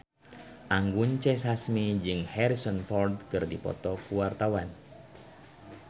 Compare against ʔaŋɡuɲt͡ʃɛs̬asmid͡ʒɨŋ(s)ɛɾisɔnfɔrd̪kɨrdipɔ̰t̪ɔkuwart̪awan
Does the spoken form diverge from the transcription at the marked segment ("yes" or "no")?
yes